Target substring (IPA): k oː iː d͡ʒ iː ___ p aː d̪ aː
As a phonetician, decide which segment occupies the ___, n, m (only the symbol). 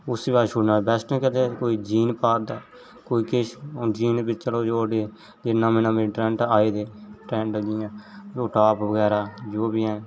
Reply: n